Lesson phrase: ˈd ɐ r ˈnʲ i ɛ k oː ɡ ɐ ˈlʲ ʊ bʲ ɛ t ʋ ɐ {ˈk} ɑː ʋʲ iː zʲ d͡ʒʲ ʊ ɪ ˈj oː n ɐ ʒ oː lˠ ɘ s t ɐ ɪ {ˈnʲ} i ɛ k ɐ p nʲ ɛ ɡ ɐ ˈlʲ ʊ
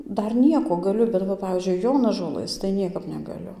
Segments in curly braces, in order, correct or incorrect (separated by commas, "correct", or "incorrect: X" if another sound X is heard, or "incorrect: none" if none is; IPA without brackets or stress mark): incorrect: p, correct